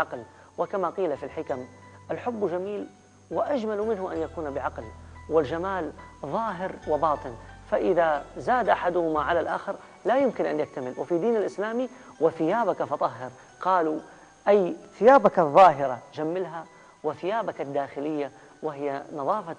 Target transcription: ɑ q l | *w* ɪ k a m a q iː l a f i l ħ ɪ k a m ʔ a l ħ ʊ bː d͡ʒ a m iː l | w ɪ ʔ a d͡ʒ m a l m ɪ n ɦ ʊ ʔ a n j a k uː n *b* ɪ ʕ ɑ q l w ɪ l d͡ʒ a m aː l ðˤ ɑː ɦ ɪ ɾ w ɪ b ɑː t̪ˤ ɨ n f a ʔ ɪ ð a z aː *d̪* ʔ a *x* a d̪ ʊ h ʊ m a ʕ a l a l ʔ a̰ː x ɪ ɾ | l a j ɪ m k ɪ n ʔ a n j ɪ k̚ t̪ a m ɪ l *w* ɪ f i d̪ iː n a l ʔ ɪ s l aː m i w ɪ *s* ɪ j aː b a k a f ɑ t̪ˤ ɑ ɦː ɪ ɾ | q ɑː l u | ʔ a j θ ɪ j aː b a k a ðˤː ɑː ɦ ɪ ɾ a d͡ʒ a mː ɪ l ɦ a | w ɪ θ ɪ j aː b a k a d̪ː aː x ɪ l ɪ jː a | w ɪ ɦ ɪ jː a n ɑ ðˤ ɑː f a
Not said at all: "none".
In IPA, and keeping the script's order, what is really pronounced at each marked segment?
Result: w, b, d̪, ħ, w, θ

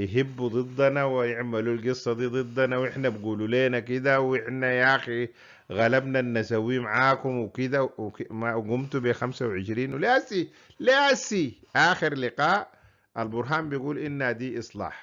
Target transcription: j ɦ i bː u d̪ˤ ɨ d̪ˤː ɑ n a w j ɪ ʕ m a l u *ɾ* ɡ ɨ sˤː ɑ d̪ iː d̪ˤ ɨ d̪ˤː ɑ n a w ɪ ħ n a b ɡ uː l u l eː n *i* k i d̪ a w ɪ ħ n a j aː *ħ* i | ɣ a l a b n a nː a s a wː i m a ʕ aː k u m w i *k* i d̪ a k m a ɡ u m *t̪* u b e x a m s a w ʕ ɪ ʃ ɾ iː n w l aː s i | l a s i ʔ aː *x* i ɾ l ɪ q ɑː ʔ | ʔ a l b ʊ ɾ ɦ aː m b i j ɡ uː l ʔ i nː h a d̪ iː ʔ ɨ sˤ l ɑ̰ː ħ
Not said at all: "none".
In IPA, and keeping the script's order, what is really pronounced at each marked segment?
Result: l, a, x, k, t̪, x

